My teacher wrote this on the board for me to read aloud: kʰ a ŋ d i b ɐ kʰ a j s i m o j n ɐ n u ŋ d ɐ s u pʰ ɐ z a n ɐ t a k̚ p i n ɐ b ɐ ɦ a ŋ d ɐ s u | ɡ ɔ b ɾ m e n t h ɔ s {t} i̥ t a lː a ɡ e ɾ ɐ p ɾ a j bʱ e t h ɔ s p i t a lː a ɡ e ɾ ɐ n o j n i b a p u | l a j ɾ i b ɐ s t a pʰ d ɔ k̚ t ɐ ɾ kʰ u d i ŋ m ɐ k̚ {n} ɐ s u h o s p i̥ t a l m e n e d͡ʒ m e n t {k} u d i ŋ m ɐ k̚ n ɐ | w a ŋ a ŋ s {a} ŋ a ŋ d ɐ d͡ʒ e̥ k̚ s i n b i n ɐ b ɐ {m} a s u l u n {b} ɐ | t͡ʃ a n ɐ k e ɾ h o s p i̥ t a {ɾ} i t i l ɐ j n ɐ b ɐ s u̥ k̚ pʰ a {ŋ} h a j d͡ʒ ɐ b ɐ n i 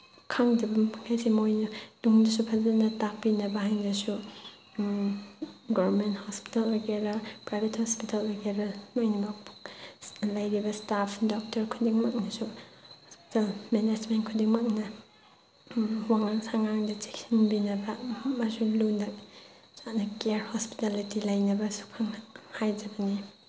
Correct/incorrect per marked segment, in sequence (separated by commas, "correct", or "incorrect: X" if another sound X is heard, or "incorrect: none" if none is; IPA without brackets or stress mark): incorrect: p, correct, incorrect: kʰ, correct, correct, incorrect: d, incorrect: l, correct